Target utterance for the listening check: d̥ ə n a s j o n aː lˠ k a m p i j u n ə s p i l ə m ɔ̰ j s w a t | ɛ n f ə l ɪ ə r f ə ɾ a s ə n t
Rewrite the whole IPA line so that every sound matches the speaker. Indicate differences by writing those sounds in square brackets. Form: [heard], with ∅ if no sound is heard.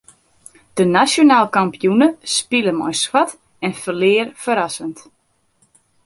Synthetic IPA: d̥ ə n a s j o n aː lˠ k a m p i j u n ə s p i l ə m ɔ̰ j s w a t | ɛ n f ə l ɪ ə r f ə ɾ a s ə n t